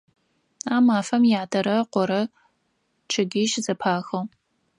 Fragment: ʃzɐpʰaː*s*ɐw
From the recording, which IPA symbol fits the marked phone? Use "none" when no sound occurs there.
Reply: x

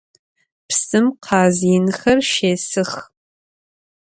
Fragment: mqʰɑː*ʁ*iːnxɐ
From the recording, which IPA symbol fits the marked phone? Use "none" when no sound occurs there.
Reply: z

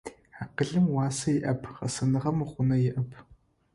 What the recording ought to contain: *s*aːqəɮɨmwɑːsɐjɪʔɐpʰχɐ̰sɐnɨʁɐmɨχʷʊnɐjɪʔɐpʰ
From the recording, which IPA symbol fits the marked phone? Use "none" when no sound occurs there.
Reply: ħ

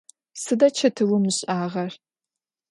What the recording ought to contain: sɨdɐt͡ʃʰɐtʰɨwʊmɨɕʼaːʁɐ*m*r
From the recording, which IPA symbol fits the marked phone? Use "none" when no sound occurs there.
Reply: none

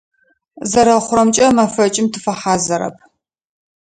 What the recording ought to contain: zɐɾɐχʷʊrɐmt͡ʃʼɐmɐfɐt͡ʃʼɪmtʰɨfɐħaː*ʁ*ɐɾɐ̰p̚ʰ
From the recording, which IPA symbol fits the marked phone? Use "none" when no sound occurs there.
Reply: z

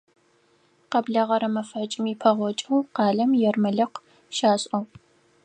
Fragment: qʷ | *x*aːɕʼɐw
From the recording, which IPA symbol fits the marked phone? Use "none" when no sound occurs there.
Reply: ʃ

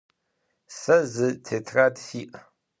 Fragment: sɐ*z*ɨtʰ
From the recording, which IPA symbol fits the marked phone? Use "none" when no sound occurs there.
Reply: z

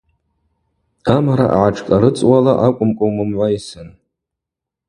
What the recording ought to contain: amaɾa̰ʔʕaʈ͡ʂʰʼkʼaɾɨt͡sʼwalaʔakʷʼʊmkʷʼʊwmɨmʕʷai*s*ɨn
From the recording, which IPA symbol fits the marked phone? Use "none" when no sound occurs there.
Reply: s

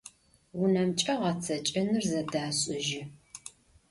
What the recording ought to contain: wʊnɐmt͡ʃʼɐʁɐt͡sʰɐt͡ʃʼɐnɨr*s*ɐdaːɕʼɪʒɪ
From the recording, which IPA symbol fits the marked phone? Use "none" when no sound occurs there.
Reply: z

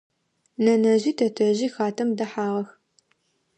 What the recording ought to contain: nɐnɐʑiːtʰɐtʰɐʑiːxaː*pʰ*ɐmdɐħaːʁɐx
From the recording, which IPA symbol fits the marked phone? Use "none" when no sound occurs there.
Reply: tʰ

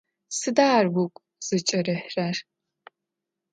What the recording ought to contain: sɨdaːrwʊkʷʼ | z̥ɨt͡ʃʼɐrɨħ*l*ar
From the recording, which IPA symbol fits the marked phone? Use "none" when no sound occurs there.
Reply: r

